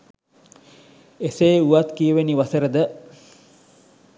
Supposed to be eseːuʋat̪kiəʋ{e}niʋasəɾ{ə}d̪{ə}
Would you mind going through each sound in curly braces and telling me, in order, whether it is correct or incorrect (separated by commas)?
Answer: correct, correct, correct